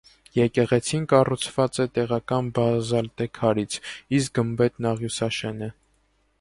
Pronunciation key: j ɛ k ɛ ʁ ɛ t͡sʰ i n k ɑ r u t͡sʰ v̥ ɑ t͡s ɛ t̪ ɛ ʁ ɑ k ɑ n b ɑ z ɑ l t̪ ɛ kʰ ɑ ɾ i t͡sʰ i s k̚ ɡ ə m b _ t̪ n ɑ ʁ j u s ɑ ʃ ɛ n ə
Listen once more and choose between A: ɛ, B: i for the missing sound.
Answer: A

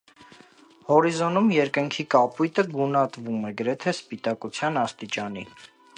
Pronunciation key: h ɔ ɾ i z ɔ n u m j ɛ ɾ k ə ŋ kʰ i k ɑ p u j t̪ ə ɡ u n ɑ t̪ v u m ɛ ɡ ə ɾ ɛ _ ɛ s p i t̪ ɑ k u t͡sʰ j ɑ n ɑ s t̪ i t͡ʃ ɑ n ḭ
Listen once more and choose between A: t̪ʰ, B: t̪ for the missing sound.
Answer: A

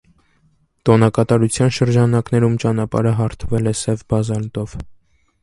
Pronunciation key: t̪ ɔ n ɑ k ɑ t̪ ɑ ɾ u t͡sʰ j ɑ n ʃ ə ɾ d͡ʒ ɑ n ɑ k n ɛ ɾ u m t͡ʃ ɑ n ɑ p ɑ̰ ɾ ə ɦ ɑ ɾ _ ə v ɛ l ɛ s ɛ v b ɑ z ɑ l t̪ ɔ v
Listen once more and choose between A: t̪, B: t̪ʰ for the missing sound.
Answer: B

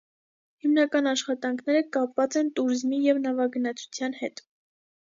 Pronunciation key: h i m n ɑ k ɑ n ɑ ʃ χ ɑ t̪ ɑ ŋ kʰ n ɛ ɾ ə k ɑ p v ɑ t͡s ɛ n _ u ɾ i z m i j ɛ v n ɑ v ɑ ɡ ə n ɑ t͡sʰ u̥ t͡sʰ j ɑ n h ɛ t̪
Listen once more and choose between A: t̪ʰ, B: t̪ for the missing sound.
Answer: B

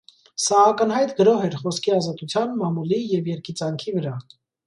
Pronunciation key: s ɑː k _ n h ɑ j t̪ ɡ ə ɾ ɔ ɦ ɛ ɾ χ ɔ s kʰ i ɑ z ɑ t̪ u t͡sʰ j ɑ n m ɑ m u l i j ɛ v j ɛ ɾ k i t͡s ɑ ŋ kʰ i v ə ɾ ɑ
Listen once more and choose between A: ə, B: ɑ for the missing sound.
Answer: A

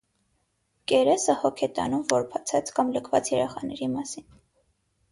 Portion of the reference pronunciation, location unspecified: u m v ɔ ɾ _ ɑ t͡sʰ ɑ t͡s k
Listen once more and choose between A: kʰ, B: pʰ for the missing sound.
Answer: B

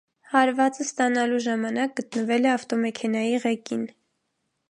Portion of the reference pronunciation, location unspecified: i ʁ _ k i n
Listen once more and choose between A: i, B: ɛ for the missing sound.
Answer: B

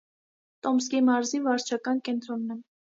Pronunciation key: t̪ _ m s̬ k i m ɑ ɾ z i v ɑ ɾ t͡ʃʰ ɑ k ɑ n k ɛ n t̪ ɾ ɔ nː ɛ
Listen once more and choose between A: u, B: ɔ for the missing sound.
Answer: B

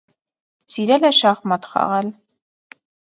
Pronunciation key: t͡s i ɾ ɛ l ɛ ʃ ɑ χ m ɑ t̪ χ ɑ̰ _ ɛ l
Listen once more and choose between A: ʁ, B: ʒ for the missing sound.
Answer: A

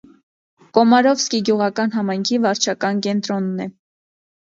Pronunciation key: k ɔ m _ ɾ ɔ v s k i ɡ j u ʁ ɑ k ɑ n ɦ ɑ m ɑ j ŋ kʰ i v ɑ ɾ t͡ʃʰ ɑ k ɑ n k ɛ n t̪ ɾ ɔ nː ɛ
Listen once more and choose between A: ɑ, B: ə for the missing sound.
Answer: A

